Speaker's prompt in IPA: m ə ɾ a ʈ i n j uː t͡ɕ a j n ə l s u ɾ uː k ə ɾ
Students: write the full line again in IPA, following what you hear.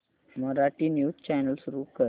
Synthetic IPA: m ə ɾ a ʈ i n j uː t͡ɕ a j n ə l s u ɾ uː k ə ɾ